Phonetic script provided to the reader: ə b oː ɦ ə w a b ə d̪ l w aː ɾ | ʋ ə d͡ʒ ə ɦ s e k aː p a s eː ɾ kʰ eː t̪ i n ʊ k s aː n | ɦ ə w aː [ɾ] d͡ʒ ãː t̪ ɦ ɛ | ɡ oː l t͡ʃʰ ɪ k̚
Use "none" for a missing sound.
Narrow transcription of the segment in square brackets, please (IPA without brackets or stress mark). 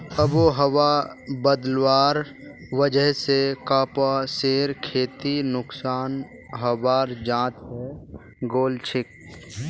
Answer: ɾ